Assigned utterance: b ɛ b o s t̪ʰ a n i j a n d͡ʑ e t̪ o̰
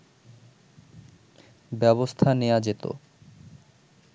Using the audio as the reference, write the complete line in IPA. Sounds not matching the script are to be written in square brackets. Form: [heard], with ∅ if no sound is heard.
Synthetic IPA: b ɛ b o s t̪ʰ a n [e] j a [∅] d͡ʑ e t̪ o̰